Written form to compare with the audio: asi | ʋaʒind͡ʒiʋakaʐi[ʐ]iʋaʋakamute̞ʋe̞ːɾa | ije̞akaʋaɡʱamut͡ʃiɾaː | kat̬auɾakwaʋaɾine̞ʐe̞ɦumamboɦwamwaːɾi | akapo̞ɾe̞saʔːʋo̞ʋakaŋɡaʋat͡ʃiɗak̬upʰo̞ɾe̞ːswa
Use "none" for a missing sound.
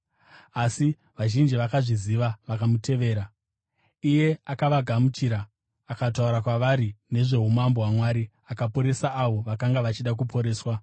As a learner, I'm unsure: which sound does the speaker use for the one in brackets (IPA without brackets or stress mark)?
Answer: z